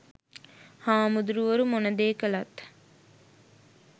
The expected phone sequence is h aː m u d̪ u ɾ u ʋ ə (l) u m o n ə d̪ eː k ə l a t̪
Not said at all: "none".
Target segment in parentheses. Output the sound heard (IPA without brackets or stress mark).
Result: ɾ